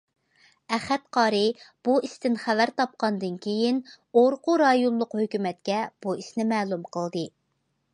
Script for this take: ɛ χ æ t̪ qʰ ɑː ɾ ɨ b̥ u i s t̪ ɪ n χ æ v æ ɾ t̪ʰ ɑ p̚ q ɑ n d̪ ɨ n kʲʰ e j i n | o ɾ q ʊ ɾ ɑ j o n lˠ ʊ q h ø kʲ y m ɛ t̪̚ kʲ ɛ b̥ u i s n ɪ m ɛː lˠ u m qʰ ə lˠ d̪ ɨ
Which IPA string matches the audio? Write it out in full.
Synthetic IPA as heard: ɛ χ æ t̪ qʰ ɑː ɾ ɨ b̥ u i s t̪ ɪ n χ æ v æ ɾ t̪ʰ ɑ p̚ q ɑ n d̪ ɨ n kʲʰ e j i n | o ɾ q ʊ ɾ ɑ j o n lˠ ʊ q h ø kʲ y m ɛ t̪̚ kʲ ɛ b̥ u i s n ɪ m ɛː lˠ u m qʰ ə lˠ d̪ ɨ